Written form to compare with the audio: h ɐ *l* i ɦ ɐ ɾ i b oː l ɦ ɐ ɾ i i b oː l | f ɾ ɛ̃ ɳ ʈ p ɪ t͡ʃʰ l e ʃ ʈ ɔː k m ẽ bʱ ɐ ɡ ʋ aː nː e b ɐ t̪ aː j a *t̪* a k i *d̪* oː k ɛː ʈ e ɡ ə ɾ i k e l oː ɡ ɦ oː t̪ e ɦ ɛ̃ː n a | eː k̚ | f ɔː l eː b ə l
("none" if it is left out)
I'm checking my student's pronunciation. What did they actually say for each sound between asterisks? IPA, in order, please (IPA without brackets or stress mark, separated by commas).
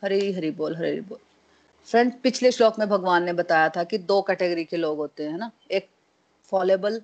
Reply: ɾ, t̪ʰ, d̪